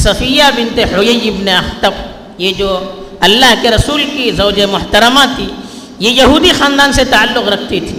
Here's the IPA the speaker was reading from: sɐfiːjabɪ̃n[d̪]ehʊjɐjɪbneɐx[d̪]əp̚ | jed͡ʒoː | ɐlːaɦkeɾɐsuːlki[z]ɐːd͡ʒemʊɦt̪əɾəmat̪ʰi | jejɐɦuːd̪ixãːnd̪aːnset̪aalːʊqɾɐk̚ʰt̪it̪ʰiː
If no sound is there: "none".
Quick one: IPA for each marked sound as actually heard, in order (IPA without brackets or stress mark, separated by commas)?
t̪, t̪, z